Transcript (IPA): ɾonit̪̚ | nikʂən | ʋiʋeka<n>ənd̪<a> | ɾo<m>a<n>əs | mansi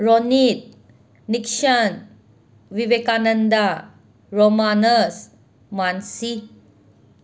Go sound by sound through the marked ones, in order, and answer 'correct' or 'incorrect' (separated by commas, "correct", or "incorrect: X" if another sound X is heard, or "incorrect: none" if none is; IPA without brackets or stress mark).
correct, correct, correct, correct